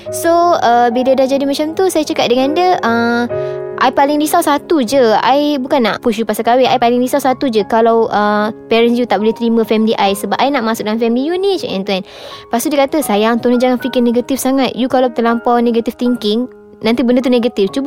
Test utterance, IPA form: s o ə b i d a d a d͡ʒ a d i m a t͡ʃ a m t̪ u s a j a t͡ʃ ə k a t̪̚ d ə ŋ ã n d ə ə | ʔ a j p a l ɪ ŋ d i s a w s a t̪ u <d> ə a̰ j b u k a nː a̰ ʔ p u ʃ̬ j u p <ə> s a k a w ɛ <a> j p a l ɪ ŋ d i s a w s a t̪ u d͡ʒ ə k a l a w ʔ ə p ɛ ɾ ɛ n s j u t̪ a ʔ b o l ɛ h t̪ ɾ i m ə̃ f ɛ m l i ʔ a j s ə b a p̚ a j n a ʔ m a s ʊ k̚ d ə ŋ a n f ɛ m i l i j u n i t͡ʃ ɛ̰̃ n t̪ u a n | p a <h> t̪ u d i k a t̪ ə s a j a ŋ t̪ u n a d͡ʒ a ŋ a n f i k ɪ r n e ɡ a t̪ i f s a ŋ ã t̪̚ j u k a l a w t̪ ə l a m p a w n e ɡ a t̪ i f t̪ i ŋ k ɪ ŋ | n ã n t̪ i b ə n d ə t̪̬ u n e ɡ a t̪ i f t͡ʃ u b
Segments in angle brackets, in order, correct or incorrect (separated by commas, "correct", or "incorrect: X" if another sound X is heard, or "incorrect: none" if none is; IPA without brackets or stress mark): incorrect: d͡ʒ, incorrect: a, correct, incorrect: s